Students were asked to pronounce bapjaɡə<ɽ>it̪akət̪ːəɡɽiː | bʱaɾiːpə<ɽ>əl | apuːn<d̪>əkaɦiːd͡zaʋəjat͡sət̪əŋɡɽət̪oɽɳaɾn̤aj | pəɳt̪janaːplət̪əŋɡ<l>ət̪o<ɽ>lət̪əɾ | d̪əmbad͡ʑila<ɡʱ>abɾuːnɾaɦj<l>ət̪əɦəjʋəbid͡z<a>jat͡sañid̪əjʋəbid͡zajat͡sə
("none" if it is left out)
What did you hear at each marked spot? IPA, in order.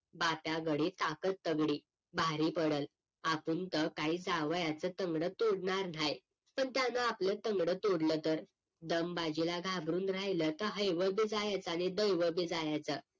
ɽ, ɽ, t̪, ɽ, ɽ, ɡʱ, l, a

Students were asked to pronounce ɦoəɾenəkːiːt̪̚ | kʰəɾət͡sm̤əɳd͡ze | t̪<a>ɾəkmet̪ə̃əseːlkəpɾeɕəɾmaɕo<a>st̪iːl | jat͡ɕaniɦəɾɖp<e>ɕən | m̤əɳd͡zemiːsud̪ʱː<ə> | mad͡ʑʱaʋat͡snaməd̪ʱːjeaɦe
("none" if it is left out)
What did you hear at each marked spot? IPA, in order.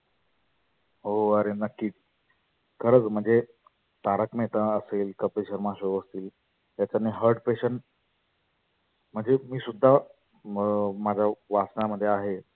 a, ə, e, a

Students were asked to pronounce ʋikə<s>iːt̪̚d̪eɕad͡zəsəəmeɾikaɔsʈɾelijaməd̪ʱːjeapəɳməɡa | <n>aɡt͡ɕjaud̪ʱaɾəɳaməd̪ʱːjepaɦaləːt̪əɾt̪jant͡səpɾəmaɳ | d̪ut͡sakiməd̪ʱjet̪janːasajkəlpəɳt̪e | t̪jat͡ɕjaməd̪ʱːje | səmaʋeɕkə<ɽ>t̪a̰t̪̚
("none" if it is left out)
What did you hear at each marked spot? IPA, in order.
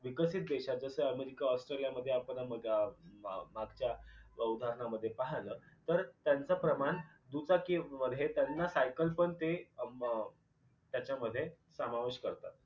s, m, ɾ

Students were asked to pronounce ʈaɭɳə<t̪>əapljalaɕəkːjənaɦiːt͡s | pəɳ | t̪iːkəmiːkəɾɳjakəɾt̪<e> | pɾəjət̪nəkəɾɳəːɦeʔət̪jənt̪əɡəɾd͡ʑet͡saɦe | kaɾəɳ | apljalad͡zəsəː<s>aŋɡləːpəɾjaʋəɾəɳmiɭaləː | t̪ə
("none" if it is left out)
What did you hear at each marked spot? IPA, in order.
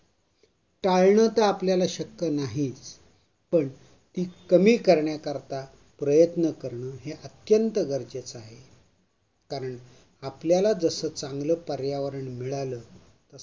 t̪, a, t͡s

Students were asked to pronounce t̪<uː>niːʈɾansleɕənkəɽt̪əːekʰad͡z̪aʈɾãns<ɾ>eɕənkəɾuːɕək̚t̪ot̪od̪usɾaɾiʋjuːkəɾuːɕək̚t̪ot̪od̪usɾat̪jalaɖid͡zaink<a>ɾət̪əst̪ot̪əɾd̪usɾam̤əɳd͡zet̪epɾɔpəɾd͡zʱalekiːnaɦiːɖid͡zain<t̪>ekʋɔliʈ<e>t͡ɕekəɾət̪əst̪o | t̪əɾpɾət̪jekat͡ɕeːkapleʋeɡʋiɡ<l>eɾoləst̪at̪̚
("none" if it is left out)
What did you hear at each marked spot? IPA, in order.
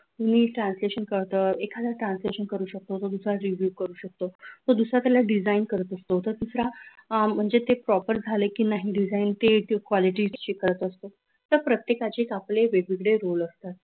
u, l, ə, t̪, i, ɽ

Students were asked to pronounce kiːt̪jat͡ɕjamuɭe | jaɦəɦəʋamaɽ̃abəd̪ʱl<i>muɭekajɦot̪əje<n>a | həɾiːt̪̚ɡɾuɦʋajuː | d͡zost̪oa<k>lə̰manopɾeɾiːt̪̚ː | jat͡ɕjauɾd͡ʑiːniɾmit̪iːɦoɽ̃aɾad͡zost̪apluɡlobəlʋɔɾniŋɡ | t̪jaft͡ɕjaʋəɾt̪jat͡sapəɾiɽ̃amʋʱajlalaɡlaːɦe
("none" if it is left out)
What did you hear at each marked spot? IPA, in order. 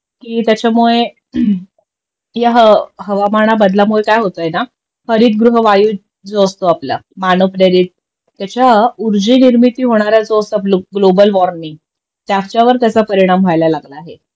a, n, p

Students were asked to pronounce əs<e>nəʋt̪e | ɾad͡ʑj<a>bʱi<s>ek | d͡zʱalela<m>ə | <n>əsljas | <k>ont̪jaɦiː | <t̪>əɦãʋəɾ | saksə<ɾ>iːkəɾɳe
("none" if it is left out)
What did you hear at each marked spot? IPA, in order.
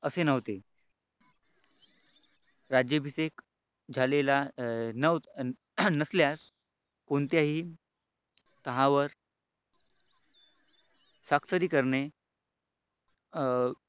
e, ə, s, n, n, k, t̪, ɾ

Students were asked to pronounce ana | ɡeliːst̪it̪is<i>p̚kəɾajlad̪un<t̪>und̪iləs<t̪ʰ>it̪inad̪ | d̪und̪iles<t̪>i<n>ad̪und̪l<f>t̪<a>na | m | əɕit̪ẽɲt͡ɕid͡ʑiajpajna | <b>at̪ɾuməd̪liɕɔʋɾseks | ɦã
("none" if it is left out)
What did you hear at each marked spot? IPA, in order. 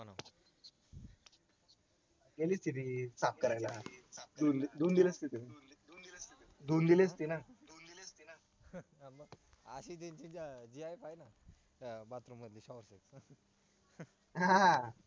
a, d̪, t̪, t̪, n, s, i, b

